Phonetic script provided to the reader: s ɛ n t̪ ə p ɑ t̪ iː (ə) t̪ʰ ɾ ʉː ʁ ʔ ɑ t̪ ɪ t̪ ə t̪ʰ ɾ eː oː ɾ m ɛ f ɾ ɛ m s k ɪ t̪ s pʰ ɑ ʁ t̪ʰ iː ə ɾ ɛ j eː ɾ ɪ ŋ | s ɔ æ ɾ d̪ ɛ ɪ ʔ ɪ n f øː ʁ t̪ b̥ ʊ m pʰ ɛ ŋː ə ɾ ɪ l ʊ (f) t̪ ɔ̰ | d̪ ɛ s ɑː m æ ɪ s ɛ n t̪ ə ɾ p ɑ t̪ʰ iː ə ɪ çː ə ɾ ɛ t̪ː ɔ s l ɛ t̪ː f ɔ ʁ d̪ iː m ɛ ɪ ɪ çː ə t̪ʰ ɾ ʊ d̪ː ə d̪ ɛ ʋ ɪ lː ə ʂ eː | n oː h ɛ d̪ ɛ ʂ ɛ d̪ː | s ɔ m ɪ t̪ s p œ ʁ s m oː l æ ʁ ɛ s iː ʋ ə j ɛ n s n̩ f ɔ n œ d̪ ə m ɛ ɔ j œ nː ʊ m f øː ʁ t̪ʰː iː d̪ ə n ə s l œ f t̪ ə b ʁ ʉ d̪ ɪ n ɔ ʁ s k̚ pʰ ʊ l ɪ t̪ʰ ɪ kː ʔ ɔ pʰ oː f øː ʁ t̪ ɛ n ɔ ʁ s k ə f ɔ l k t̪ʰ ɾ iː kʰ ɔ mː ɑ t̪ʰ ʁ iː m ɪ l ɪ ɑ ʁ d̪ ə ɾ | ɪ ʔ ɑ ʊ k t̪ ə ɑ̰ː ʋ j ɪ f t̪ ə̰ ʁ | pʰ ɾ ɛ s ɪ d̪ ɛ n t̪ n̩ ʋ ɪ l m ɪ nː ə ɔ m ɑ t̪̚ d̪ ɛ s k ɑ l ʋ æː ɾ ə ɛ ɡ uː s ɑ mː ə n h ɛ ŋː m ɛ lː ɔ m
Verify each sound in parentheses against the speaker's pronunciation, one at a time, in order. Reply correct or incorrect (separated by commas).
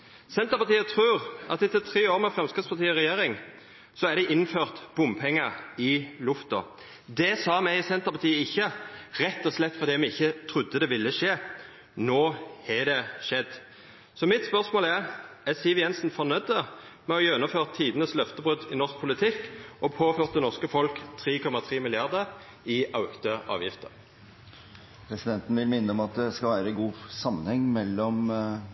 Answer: correct, correct